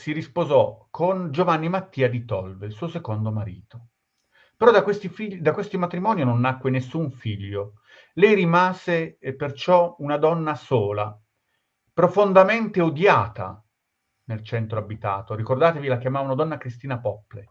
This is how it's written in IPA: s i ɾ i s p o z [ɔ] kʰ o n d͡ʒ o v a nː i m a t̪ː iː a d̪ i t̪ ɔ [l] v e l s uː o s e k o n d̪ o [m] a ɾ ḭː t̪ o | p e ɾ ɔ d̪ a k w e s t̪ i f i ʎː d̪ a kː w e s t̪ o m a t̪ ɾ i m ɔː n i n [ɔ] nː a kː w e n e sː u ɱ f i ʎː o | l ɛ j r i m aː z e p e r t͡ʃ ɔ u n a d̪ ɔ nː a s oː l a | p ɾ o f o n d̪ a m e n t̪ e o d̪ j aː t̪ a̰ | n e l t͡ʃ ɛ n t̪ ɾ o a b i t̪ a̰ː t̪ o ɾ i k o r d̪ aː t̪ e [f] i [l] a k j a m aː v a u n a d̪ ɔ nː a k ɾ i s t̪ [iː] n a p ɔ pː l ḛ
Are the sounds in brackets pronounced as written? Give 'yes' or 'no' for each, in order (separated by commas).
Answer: yes, yes, yes, no, no, yes, yes